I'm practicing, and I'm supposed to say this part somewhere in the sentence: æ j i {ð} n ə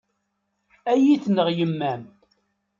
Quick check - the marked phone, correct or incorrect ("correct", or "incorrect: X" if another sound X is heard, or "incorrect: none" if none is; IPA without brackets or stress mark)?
incorrect: θ